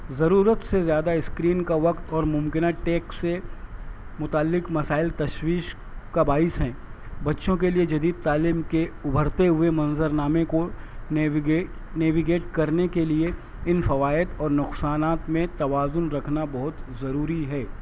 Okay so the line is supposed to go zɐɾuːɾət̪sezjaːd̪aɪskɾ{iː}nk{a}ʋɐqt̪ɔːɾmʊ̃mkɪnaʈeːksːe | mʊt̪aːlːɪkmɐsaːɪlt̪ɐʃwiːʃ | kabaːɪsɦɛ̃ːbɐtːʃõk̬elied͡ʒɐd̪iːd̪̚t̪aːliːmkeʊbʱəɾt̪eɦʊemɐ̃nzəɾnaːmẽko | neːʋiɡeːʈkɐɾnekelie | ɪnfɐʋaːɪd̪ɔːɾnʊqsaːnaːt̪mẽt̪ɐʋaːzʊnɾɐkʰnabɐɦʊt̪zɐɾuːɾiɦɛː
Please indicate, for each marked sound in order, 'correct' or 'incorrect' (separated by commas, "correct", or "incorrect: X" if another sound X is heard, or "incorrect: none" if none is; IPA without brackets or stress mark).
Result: correct, correct